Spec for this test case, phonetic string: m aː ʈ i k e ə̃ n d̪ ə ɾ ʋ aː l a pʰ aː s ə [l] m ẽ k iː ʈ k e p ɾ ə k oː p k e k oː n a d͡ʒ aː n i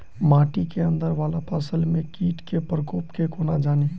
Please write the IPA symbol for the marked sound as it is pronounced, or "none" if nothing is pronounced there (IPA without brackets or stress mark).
l